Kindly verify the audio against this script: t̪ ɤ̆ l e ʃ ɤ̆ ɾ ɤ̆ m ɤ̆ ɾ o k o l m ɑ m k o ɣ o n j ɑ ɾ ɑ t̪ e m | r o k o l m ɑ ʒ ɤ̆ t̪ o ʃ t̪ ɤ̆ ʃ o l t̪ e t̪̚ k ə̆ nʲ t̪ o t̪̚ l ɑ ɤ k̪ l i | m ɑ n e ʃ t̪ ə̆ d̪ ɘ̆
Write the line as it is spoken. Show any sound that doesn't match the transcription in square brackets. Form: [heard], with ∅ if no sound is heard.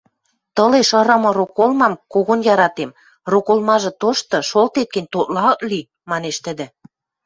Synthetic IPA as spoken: t̪ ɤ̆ l e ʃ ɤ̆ ɾ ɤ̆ m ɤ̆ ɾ o k o l m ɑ m k o ɣ o n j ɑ ɾ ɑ t̪ e m | r o k o l m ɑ ʒ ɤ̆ t̪ o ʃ t̪ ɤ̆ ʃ o l t̪ e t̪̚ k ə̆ nʲ t̪ o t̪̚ l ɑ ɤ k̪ l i | m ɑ n e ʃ t̪ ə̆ d̪ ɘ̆